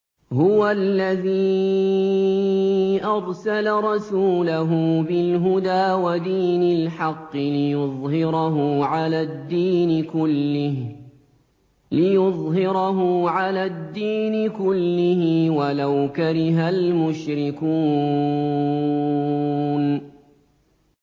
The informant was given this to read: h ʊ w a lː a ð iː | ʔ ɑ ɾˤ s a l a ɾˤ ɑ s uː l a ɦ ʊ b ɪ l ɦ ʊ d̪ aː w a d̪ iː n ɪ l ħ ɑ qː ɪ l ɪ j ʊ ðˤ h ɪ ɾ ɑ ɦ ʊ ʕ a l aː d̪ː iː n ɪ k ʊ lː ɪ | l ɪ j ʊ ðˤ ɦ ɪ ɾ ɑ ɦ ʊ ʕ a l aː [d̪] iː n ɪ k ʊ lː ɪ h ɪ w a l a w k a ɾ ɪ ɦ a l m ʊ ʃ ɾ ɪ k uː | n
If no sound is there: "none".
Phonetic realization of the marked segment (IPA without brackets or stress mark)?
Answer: d̪ː